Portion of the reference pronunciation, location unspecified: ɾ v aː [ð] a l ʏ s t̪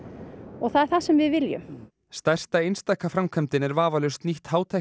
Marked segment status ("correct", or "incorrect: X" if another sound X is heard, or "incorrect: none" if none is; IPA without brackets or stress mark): incorrect: v